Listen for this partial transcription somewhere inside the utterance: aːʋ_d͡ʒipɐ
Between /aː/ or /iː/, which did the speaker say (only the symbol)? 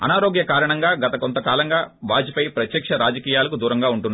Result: aː